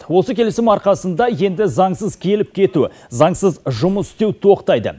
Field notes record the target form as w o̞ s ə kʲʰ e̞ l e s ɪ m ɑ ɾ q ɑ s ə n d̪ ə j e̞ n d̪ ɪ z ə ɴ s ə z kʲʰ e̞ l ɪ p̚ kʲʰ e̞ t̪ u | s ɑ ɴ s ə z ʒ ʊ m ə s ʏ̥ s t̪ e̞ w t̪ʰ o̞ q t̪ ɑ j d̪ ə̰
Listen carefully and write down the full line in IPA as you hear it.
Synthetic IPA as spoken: w o̞ s ə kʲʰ e̞ l e s ɪ m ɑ ɾ q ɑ s ə n d̪ ɑ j e̞ n d̪ ɪ z ɑ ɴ s ə z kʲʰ e̞ l ɪ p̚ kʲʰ e̞ t̪ u | z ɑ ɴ s ə z ʒ ʊ m ə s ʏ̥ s t̪ e̞ w t̪ʰ o̞ q t̪ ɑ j d̪ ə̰